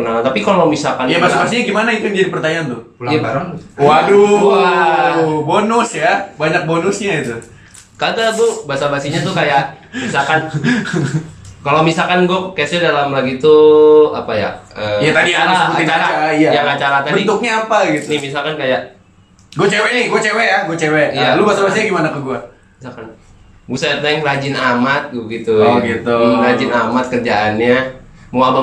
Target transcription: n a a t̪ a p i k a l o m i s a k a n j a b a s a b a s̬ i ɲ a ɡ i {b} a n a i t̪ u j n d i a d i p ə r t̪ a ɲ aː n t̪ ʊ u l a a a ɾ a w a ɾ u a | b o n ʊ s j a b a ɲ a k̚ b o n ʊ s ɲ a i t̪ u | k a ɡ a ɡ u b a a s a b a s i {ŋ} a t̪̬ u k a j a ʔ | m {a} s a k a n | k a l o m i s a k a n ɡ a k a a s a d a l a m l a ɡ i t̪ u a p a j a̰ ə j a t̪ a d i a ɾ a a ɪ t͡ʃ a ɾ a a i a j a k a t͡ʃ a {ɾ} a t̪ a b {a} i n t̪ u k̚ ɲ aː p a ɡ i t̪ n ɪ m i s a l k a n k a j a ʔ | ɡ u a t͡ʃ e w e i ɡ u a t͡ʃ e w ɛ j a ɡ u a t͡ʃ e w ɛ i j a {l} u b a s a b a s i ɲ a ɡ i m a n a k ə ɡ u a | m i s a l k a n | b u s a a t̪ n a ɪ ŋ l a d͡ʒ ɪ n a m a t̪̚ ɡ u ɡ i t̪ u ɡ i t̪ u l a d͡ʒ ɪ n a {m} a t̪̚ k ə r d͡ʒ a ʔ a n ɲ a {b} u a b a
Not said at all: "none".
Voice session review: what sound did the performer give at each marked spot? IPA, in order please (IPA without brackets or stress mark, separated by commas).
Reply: m, ɲ, i, ɾ, ə, l, m, m